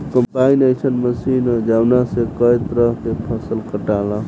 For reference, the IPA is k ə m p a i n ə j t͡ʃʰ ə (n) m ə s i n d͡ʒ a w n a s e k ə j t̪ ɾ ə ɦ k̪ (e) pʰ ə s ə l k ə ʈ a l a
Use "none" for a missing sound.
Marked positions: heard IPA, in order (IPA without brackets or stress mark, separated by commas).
n, e